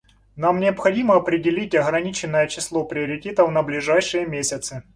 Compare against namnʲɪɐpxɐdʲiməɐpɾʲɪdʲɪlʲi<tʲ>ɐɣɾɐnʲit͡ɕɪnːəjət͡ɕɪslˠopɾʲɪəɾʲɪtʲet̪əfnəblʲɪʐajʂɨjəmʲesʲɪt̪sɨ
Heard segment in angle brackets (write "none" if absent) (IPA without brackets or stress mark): tʲ